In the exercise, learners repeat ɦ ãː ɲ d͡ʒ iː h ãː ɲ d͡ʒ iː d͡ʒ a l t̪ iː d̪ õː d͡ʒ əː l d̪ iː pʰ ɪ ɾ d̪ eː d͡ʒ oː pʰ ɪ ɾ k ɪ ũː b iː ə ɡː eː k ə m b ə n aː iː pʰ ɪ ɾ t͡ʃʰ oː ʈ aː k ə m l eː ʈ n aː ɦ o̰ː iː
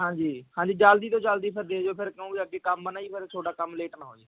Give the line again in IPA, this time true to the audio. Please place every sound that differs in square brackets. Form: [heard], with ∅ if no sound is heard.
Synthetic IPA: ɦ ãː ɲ d͡ʒ iː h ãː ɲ d͡ʒ iː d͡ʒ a l [d̪] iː [t̪] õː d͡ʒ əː l d̪ iː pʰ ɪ ɾ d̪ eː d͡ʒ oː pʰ ɪ ɾ k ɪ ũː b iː ə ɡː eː k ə m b ə n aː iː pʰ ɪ ɾ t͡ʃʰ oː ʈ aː k ə m l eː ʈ n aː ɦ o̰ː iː